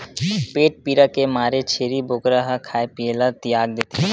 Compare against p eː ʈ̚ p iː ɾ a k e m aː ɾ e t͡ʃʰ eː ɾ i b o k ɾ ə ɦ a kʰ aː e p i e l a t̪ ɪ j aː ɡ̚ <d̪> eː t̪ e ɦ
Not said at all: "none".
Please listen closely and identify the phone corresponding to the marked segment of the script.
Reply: d̪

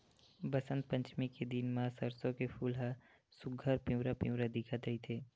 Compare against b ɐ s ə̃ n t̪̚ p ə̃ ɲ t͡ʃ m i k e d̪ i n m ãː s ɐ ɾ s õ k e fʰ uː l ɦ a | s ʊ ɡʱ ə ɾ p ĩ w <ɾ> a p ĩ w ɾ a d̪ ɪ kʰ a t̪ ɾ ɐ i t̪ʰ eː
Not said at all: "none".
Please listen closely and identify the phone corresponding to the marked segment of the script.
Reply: ɾ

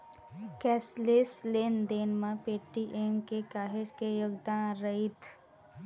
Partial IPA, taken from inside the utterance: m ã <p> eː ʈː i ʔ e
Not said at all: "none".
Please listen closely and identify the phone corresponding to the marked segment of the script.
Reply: p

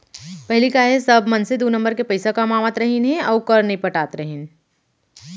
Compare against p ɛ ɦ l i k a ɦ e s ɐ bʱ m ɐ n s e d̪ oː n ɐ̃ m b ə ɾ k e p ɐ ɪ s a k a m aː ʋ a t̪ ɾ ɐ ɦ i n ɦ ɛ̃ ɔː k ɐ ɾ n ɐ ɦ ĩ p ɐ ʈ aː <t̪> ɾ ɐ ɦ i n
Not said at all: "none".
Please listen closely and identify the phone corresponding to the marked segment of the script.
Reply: t̪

